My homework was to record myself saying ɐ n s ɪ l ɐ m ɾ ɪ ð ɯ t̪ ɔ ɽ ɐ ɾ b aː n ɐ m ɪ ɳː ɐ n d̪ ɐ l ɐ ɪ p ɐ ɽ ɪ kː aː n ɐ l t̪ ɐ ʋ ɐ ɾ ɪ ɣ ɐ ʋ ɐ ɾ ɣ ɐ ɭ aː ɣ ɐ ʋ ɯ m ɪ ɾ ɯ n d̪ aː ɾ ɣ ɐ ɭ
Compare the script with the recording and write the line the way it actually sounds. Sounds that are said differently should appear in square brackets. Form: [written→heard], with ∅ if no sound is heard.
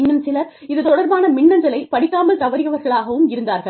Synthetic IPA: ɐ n s ɪ l ɐ [m→∅] ɾ ɪ ð ɯ t̪ ɔ ɽ ɐ ɾ b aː n ɐ m ɪ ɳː ɐ n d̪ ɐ l ɐ ɪ p ɐ ɽ ɪ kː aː [n→m] ɐ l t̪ ɐ ʋ ɐ ɾ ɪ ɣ ɐ ʋ ɐ ɾ ɣ ɐ ɭ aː ɣ ɐ ʋ ɯ m ɪ ɾ ɯ n d̪ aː ɾ ɣ ɐ ɭ